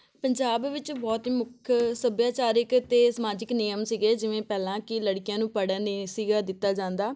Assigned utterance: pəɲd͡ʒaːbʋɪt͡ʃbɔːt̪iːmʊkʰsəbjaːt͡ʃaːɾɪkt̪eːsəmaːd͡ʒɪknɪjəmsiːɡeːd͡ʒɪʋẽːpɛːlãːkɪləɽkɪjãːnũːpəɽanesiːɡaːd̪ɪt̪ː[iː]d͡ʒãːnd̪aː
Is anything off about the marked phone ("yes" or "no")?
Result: yes